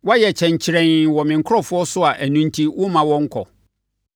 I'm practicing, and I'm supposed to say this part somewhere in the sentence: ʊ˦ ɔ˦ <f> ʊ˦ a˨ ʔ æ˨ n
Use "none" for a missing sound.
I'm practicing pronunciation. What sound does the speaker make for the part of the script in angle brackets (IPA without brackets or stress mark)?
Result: s